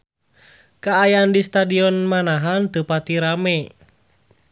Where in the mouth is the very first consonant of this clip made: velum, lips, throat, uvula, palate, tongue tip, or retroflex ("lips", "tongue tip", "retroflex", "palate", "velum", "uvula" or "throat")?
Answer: velum